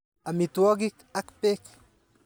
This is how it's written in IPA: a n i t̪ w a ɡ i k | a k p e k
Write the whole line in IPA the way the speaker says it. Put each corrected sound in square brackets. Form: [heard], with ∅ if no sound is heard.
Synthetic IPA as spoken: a [m] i t̪ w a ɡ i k | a k p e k